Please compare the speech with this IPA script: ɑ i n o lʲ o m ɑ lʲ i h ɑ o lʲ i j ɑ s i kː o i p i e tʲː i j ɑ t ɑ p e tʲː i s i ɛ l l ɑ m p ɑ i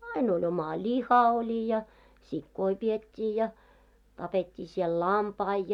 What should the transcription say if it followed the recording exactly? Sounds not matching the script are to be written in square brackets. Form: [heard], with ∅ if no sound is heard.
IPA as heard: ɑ i n o lʲ o m ɑ lʲ i h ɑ o lʲ i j ɑ s i kː o i p i e tʲː [iː] j ɑ t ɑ p e tʲː [iː] s i ɛ l l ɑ m p ɑ i